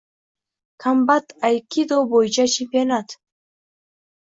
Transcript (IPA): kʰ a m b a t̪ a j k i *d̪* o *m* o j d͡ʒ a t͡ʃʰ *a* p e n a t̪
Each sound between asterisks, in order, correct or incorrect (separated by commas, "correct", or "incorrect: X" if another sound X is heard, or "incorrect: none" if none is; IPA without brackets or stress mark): correct, incorrect: b, incorrect: i